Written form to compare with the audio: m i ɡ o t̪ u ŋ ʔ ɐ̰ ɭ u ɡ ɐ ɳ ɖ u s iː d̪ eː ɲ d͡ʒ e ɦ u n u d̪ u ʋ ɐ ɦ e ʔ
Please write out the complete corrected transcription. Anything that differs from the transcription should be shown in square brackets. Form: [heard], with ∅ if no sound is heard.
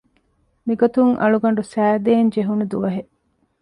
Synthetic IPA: m i ɡ o t̪ u ŋ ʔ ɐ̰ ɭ u ɡ ɐ ɳ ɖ u s [æː] d̪ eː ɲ d͡ʒ e ɦ u n u d̪ u ʋ ɐ ɦ e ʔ